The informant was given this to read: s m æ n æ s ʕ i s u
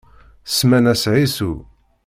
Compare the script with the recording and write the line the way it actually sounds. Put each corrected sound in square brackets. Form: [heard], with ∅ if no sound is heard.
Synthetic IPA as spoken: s m æ n æ s ʕ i s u